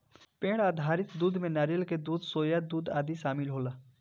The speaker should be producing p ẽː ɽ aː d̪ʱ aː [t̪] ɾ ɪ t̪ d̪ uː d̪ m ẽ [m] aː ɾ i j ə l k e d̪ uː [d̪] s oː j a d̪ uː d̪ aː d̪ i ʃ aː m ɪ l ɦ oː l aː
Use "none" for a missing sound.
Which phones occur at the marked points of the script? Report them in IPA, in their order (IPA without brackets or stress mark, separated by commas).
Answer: none, n, d̪